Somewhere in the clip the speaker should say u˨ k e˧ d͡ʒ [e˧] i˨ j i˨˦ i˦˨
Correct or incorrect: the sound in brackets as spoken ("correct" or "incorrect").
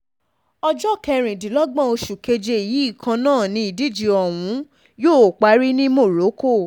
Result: correct